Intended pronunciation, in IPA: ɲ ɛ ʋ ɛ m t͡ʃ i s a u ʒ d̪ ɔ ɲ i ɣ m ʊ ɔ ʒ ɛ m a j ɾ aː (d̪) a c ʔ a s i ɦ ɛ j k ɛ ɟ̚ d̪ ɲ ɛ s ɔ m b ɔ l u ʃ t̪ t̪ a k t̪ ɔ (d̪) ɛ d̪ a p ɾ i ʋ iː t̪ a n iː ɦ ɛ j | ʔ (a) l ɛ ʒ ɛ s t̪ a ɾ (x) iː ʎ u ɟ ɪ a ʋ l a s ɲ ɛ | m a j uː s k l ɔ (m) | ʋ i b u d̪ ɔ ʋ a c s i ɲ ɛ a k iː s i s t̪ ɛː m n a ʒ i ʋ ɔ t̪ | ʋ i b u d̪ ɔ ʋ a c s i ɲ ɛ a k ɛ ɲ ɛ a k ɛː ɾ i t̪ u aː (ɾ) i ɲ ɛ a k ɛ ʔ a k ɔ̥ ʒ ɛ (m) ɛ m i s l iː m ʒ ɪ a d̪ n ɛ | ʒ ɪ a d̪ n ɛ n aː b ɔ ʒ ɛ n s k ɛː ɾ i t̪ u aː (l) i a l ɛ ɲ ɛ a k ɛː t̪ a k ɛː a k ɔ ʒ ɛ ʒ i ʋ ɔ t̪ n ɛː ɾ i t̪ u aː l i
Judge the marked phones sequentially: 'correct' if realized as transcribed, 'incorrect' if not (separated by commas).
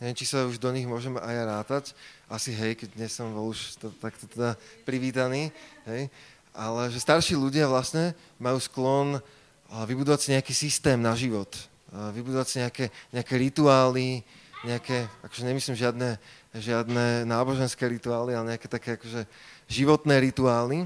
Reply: incorrect, incorrect, correct, incorrect, incorrect, incorrect, incorrect, correct